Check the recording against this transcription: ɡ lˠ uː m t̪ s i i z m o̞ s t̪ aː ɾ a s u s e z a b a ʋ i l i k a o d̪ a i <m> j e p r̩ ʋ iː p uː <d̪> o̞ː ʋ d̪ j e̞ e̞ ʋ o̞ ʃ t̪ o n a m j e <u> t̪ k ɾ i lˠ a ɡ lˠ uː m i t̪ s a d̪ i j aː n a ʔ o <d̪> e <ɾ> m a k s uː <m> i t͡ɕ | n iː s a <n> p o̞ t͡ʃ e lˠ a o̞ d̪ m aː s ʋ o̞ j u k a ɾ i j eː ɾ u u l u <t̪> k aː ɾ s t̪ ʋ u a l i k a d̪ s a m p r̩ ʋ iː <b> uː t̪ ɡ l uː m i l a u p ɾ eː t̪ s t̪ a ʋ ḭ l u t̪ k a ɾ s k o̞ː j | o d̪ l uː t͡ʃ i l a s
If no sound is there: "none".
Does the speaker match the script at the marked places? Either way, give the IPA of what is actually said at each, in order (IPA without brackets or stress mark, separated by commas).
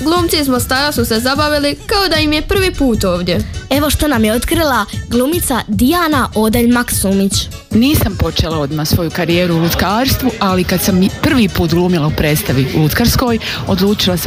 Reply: m, t̪, o, d̪, ʎ, m, m, t̪, p